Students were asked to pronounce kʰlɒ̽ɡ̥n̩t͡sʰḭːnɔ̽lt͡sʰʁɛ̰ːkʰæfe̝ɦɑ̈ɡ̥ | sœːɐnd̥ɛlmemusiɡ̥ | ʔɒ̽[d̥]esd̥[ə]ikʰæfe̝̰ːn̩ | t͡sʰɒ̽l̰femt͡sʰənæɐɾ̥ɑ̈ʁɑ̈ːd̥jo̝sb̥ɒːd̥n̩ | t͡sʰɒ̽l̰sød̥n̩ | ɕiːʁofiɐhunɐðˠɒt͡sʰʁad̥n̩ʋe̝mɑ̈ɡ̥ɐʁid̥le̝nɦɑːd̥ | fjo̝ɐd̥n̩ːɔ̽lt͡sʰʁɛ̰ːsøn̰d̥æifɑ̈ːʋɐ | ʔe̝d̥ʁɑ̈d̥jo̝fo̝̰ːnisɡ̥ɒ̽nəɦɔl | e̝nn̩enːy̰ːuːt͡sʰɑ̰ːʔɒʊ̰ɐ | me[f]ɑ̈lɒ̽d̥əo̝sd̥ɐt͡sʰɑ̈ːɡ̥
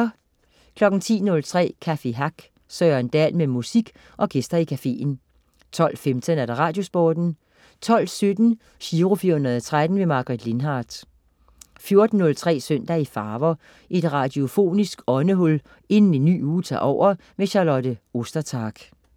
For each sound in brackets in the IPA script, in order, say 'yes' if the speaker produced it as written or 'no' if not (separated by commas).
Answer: no, no, no